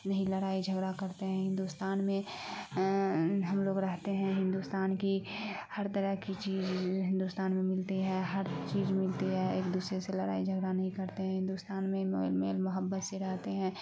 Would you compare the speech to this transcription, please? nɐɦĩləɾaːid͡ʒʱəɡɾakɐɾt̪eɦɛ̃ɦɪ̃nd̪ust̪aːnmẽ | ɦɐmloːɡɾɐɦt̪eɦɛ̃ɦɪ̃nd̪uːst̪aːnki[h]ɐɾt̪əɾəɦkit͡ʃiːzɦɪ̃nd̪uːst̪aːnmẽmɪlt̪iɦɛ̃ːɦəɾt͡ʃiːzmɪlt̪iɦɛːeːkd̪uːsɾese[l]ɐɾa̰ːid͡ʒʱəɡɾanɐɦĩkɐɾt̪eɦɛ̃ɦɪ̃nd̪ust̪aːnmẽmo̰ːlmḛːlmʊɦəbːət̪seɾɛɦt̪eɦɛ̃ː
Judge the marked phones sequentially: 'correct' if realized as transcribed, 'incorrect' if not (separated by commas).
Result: correct, correct